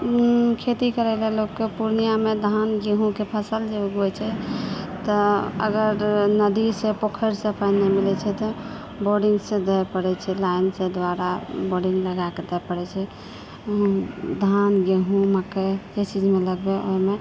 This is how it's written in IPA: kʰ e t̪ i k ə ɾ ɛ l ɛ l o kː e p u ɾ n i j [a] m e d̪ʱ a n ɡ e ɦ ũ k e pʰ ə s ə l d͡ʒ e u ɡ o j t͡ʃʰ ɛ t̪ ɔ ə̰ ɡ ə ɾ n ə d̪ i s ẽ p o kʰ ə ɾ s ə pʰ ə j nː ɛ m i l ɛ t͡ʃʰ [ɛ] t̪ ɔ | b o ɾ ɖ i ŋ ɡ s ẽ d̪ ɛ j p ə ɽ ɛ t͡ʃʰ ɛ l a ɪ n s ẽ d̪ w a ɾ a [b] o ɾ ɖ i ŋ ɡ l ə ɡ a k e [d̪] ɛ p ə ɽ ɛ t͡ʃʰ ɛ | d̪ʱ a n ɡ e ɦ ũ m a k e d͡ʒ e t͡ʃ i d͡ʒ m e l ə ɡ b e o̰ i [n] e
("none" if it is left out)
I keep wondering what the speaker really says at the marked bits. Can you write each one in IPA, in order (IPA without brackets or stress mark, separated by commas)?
a, ɛ, b, d̪, m